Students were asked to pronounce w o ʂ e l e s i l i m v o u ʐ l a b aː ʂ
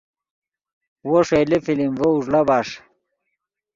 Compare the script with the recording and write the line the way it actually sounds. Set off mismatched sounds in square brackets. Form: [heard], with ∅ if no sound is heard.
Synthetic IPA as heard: w o ʂ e l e [f] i l i m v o u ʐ l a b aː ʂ

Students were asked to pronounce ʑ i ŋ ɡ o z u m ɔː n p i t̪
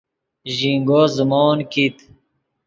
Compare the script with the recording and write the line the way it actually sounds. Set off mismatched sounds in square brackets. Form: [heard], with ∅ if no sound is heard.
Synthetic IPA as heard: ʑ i ŋ ɡ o z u m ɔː n [k] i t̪

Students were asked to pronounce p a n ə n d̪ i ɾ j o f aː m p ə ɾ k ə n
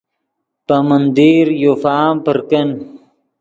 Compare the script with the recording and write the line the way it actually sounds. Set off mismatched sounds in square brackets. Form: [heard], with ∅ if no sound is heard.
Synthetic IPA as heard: p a [m] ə n d̪ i ɾ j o f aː m p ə ɾ k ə n

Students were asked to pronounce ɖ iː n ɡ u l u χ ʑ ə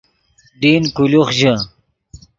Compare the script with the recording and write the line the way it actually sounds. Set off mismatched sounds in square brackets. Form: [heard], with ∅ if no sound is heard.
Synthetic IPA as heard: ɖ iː n [k] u l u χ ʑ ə

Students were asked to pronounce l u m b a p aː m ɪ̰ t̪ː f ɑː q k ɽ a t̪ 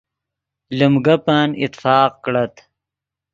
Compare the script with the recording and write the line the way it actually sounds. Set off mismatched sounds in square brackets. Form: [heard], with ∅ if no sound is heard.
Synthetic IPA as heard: l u m [ɡ] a p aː [n] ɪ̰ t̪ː f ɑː q k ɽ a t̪

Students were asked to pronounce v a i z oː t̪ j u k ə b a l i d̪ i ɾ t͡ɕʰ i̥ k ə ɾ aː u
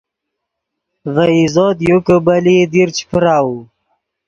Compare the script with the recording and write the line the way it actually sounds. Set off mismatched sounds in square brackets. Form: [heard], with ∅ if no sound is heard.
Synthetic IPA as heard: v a i z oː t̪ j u k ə b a l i d̪ i ɾ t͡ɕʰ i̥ [p] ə ɾ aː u

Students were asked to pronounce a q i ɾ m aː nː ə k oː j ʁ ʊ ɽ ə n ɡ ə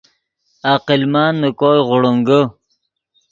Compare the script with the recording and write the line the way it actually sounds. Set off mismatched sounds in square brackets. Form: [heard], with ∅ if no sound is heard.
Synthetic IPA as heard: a q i [l] m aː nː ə k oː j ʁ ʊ ɽ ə [ŋ] ɡ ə

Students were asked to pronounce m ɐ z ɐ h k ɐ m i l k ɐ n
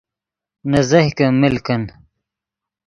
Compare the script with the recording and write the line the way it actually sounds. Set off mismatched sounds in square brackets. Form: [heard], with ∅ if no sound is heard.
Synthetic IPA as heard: [n] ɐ z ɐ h k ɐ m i l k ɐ n

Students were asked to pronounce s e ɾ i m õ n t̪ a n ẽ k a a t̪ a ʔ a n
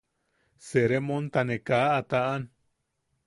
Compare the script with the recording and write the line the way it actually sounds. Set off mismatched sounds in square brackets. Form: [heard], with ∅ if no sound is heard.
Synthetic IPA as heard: s e ɾ [e] m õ n t̪ a n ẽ k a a t̪ a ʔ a n

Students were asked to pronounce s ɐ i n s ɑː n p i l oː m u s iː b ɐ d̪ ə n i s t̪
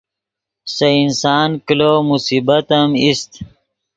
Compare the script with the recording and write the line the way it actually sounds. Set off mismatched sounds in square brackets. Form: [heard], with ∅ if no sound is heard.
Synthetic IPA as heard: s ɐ i n s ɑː n [k] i l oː m u s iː b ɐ [t̪] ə [m] i s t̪

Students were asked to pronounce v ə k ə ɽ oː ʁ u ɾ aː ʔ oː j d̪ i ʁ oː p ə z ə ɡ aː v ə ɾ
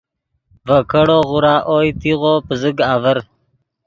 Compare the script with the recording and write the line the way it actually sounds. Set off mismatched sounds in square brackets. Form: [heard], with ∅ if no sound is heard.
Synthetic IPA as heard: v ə k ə ɽ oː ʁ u ɾ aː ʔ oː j [t̪] i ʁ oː p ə z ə ɡ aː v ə ɾ

